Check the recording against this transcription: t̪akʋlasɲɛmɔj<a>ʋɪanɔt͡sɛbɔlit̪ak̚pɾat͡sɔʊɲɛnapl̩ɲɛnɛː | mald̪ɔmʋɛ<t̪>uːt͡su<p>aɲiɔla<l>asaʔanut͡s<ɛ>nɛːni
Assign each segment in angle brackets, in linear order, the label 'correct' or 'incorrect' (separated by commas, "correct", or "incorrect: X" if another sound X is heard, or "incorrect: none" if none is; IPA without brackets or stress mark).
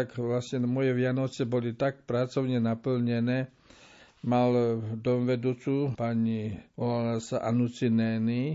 incorrect: ɛ, incorrect: d̪, correct, correct, incorrect: i